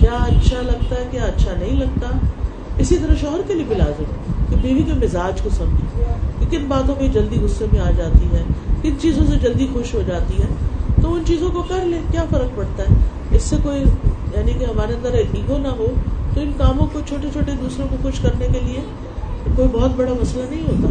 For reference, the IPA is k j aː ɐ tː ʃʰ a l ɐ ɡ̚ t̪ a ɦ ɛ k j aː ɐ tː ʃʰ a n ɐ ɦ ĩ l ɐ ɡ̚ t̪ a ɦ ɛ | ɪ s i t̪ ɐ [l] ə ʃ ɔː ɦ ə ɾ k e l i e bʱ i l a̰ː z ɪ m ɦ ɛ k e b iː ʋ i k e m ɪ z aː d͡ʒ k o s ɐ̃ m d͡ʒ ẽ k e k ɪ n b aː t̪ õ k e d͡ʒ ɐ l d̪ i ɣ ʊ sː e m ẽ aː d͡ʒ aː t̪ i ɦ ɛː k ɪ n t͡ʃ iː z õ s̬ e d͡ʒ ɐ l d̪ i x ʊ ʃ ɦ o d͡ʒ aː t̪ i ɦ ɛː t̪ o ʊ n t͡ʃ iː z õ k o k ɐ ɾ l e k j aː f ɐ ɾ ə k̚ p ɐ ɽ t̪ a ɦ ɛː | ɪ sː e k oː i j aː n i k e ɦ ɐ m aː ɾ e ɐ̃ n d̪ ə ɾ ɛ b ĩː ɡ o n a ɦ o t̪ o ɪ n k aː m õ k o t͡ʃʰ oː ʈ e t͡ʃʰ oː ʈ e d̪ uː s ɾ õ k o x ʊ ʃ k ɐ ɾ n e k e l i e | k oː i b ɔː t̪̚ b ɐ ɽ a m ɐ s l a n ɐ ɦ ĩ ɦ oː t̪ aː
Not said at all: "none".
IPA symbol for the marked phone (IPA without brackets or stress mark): ɾ